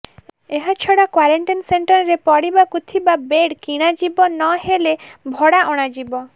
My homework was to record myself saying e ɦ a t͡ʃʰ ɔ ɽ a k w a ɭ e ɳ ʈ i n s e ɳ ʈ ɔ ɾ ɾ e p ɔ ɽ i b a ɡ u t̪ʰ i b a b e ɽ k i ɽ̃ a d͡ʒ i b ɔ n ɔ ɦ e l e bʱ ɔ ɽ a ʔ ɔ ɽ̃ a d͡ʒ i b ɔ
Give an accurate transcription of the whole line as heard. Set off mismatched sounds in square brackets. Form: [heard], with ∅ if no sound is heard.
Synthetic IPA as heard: e ɦ a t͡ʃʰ ɔ ɽ a k w a [ɾ] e ɳ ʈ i n s e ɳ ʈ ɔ ɾ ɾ e p ɔ ɽ i b a [k] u t̪ʰ i b a b e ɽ k i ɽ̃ a d͡ʒ i b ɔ n ɔ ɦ e l e bʱ ɔ ɽ a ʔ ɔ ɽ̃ a d͡ʒ i b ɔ